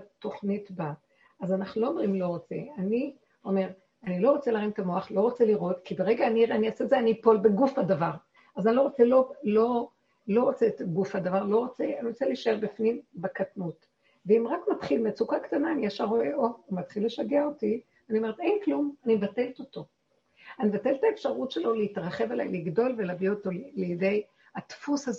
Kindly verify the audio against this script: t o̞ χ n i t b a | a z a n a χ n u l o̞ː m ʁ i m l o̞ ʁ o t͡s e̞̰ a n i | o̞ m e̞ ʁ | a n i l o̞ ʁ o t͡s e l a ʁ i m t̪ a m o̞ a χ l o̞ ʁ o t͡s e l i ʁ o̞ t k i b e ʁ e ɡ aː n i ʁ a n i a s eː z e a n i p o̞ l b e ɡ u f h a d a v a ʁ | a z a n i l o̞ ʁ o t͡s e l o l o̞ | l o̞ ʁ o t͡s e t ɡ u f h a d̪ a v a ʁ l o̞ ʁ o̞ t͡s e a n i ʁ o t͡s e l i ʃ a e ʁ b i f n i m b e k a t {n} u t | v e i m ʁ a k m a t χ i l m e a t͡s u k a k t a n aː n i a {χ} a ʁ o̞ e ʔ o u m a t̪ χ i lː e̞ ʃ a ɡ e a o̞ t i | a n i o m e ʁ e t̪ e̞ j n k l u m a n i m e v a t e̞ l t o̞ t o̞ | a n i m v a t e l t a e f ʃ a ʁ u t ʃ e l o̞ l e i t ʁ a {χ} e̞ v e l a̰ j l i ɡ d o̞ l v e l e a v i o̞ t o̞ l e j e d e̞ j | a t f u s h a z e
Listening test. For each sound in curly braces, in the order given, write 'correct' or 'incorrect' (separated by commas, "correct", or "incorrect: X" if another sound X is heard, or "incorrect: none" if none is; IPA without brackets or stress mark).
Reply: correct, incorrect: ʃ, correct